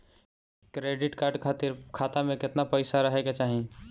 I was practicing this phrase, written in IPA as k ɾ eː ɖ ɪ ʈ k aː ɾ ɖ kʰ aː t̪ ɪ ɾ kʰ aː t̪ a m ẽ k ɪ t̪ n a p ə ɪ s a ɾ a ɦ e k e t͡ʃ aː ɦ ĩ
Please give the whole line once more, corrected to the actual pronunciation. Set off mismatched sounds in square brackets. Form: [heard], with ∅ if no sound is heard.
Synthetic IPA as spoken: k ɾ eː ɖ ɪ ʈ k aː ɾ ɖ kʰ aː t̪ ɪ ɾ kʰ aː t̪ a m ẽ k ɪ t̪ n a p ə ɪ s a ɾ [ə] ɦ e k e t͡ʃ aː ɦ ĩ